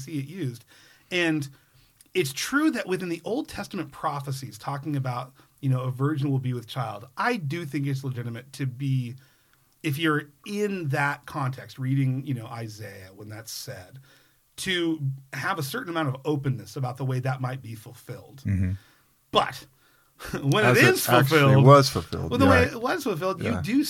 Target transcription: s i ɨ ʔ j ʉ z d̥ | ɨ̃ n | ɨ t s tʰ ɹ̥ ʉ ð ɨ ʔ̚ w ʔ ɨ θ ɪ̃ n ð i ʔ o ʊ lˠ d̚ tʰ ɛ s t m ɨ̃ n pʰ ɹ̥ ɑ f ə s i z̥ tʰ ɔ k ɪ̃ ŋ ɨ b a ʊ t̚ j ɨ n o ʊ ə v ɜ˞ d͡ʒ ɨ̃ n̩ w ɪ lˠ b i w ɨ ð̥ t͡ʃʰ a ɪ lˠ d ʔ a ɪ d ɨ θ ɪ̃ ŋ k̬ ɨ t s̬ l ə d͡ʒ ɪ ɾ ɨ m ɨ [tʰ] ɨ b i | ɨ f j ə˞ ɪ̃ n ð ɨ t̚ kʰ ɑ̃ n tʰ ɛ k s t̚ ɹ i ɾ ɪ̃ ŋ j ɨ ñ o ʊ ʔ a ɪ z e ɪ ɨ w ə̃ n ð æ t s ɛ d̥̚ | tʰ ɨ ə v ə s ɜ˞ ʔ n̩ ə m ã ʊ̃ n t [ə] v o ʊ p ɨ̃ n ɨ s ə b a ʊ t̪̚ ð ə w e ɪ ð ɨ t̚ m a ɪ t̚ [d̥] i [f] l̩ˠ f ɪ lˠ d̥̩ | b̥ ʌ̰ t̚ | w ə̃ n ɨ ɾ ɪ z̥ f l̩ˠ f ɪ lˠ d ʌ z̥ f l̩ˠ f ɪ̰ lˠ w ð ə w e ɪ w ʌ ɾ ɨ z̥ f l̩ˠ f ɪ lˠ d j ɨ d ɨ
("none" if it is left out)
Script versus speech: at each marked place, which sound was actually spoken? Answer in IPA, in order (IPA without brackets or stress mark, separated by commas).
tʰ, ʌ, b̥, f